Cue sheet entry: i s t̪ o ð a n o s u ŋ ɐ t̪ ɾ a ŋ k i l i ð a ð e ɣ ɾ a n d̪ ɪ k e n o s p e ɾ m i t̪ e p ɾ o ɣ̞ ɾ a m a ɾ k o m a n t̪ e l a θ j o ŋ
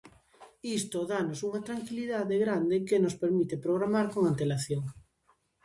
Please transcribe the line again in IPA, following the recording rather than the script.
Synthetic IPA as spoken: i s t̪ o ð a n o s u ŋ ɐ t̪ ɾ a ŋ k i l i ð a ð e ɣ ɾ a n d̪ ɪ k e n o s p e ɾ m i t̪ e p ɾ o ɣ̞ ɾ a m a ɾ k o ŋ a n t̪ e l a θ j o ŋ